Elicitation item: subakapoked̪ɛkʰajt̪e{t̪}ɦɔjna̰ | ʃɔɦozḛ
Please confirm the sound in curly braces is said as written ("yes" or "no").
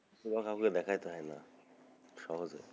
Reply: no